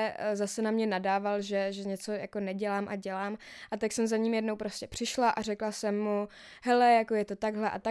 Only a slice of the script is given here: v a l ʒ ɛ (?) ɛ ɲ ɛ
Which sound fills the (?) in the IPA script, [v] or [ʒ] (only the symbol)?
ʒ